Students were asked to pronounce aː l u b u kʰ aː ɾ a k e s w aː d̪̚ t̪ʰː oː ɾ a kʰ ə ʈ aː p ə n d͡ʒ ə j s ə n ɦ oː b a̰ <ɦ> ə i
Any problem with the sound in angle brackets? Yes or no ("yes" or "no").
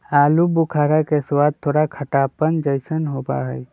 no